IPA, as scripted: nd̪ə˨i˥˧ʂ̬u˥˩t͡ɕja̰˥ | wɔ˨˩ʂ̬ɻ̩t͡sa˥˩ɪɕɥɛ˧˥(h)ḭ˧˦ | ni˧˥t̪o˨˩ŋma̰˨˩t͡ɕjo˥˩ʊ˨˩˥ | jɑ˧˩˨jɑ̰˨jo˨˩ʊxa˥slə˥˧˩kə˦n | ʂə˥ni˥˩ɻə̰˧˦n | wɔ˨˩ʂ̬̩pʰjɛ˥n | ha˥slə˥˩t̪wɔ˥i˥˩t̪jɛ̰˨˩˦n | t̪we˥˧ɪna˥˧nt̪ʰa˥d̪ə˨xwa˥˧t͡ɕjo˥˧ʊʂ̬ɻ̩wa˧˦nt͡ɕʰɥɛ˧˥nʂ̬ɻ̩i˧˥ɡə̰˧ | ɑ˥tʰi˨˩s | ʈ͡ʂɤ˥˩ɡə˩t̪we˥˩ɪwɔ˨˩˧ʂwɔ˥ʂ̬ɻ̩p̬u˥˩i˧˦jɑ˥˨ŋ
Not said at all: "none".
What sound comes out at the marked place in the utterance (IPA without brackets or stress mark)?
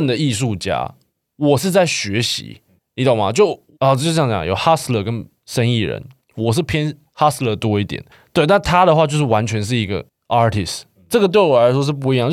ɕ